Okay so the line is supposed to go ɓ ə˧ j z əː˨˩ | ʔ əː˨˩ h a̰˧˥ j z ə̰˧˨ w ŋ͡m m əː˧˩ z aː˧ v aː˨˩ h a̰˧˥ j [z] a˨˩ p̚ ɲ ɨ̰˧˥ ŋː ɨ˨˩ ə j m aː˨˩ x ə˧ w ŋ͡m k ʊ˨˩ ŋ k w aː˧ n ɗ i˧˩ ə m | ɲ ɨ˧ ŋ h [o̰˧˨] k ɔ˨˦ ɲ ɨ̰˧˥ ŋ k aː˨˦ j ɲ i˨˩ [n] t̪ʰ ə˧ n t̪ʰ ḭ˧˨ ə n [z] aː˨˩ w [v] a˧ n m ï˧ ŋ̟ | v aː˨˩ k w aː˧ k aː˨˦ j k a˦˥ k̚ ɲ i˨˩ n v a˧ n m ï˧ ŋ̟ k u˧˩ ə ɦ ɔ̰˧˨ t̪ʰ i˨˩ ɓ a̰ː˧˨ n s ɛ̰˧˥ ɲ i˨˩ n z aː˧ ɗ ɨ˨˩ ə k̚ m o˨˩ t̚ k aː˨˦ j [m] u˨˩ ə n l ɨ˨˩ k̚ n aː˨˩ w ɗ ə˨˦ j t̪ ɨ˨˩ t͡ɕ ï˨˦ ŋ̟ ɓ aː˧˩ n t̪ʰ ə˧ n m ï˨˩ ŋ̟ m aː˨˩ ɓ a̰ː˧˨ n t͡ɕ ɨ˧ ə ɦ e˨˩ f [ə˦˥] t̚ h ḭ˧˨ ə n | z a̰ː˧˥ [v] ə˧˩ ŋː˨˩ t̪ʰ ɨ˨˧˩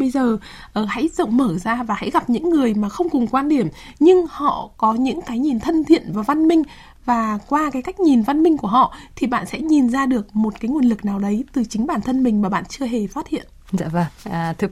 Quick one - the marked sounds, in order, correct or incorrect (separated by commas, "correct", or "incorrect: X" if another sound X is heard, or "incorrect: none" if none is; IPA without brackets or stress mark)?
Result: incorrect: ɣ, incorrect: ɔ̰˧˨, correct, incorrect: v, correct, incorrect: ŋ, incorrect: a˦˥, correct